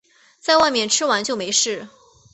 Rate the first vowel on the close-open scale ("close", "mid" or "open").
open